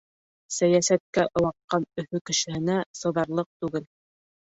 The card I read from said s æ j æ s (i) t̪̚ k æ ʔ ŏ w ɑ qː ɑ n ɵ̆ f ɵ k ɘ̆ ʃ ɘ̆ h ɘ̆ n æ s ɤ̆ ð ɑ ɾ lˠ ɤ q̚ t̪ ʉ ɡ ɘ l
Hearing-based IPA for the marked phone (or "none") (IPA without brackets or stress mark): æ